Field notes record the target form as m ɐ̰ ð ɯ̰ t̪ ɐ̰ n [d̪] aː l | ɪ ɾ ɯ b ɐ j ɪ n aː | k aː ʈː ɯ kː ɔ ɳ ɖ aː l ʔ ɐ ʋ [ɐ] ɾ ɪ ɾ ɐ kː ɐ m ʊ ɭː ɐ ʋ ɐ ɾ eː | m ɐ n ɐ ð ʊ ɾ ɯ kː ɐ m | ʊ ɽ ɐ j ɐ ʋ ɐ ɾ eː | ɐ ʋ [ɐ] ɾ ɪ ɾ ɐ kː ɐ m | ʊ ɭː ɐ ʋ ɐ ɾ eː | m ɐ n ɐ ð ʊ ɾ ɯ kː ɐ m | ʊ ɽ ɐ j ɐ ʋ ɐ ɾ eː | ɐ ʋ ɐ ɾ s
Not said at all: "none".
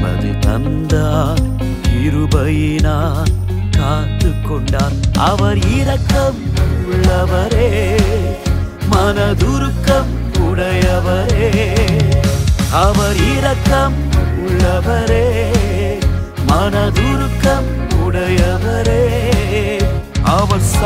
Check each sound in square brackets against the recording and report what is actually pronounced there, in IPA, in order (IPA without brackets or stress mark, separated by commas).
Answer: d̪, ɐ, ɐ